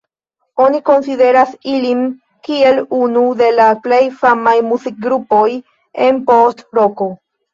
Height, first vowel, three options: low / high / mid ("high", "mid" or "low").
mid